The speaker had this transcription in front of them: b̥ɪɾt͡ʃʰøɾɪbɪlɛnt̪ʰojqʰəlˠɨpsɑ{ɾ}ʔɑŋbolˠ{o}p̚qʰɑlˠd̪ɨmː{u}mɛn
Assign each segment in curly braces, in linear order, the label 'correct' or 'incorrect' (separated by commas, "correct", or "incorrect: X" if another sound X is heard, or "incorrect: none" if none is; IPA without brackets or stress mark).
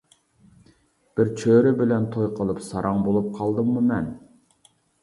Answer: correct, incorrect: u, correct